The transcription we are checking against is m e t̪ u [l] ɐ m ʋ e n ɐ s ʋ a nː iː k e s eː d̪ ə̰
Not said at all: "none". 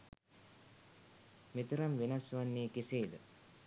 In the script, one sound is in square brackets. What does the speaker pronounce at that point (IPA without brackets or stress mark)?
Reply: ɾ